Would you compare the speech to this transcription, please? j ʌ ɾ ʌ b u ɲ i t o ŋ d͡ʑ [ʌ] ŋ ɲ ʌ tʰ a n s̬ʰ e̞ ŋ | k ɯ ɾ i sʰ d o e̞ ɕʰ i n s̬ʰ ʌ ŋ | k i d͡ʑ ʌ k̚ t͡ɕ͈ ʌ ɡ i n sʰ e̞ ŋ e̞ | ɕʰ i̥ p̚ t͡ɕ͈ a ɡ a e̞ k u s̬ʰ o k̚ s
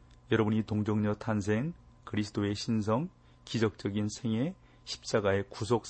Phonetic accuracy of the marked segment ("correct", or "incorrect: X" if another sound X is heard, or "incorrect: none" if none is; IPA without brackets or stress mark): correct